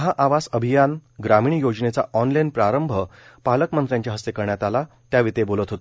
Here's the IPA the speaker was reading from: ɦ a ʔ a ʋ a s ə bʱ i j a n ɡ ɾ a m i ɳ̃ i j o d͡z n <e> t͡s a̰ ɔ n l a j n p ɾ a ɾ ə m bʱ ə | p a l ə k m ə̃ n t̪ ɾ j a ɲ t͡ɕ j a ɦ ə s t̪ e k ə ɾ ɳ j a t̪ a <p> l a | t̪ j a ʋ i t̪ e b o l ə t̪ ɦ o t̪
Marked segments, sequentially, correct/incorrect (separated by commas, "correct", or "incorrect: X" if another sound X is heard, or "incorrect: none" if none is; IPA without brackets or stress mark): correct, incorrect: none